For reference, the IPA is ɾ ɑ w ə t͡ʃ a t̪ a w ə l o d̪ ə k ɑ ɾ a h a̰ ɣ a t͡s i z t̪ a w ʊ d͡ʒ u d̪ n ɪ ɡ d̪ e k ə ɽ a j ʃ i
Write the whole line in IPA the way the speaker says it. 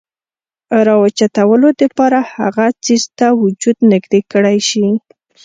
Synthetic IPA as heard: ɾ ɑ w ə t͡ʃ a t̪ a w ə l o d̪ ə p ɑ ɾ a h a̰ ɣ a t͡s i z t̪ a w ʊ d͡ʒ u d̪ n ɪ ɡ d̪ e k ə ɽ a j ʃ i

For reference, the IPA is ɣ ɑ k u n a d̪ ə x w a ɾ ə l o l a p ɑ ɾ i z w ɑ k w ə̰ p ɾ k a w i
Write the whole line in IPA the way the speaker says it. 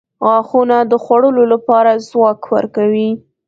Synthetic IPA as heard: ɣ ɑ x u n a d̪ ə x w a ɽ ə l o l a p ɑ ɾ a z w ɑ k w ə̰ ɾ k a w i

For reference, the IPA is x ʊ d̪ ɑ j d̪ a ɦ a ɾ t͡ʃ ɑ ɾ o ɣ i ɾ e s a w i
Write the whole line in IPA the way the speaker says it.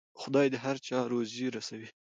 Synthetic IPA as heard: x ʊ d̪ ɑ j d̪ ə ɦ a ɾ t͡ʃ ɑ ɾ o z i ɾ a s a w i

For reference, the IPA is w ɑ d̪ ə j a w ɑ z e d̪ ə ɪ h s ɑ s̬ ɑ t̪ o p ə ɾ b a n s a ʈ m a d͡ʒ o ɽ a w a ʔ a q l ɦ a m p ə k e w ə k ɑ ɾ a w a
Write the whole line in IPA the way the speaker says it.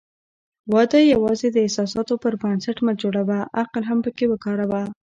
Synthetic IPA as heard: w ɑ d̪ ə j a w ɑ z e d̪ ə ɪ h s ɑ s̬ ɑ t̪ o p ə ɾ b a n s a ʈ m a d͡ʒ o ɽ a w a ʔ a q l ɦ a m p ə k e w ə k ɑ ɾ a w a

